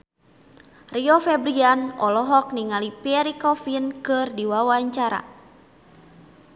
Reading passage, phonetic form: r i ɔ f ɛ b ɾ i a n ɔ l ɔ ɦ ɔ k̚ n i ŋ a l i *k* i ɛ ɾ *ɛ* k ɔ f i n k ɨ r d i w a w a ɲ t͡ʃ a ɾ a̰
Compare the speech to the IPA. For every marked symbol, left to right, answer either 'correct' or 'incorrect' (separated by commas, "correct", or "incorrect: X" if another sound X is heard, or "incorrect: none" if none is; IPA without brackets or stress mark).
incorrect: p, incorrect: i